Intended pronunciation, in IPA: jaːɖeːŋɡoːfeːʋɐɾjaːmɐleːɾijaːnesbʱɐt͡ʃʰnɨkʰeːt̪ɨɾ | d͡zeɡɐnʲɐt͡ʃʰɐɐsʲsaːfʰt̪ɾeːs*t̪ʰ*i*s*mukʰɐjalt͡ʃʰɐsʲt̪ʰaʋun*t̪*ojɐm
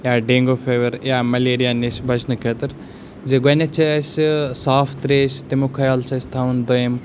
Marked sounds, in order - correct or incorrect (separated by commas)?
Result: incorrect, incorrect, incorrect